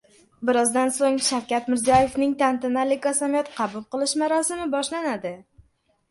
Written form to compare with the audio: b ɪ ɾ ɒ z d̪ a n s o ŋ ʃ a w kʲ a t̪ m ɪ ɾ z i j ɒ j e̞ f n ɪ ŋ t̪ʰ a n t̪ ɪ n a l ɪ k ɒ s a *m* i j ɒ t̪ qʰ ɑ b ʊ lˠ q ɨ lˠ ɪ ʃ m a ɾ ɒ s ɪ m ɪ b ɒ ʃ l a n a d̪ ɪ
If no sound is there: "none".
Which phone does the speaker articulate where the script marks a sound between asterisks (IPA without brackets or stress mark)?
m